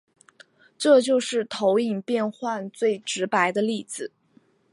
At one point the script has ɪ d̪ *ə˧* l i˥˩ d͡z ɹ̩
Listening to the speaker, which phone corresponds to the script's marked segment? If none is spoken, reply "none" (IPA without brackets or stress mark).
ə˧